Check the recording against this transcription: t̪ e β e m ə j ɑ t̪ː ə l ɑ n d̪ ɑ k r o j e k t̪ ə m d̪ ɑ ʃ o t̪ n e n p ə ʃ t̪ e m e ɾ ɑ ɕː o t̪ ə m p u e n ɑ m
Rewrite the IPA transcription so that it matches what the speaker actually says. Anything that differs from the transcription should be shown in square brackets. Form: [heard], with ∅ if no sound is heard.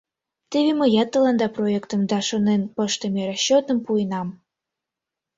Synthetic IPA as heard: t̪ e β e m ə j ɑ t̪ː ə l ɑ n d̪ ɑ [p] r o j e k t̪ ə m d̪ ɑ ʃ o [∅] n e n p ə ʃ t̪ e m e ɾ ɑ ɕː o t̪ ə m p u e n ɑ m